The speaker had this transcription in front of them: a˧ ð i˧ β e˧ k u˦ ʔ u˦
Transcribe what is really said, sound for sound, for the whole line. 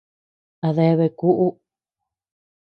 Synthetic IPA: a˧ ð e˧ β e˧ k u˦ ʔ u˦